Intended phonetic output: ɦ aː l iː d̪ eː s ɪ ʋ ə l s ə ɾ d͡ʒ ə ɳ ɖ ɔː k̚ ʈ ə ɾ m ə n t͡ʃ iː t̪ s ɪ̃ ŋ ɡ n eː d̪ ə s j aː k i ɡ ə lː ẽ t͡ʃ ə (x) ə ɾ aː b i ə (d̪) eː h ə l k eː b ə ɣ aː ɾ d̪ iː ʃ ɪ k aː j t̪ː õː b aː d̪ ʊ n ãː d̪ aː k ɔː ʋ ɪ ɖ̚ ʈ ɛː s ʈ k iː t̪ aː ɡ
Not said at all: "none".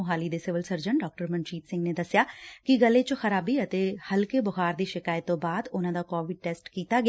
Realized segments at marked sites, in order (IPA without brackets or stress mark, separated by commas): x, t̪